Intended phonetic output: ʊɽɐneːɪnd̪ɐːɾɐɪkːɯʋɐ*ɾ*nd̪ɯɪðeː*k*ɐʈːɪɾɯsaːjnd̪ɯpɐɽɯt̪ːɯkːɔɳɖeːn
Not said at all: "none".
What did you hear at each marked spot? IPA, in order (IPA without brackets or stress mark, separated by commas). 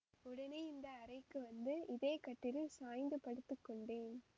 none, k